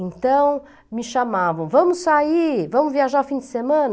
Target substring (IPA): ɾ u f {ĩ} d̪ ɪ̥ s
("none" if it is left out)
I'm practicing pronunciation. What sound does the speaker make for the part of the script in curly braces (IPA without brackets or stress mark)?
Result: ĩ